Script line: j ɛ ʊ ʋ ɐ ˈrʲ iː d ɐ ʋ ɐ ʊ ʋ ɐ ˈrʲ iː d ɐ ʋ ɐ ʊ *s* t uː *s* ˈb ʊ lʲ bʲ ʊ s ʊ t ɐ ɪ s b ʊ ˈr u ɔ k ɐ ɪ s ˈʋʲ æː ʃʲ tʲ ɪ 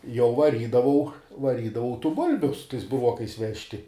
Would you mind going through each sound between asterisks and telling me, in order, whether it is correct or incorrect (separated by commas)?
incorrect, incorrect